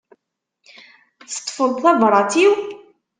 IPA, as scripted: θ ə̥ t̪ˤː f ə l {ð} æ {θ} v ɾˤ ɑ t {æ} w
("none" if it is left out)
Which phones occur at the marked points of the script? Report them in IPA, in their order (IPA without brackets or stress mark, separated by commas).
θ, none, i